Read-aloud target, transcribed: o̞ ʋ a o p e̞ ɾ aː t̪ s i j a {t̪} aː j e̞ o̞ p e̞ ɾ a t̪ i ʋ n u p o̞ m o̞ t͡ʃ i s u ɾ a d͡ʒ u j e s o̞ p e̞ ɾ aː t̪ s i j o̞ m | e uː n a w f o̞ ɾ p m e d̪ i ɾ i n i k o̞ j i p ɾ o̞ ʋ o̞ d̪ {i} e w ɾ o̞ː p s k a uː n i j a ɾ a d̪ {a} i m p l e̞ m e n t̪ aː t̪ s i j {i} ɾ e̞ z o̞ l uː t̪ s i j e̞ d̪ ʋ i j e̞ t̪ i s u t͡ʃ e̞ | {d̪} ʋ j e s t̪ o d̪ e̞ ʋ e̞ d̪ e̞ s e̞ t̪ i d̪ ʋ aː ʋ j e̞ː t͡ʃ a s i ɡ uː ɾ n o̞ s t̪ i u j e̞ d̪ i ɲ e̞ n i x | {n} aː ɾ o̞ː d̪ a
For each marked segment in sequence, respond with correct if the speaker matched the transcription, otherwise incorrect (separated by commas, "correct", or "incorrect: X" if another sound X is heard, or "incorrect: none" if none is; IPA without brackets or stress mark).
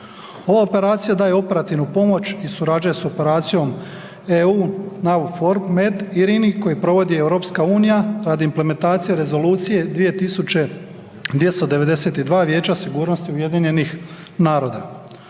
incorrect: d̪, correct, incorrect: i, incorrect: e, correct, correct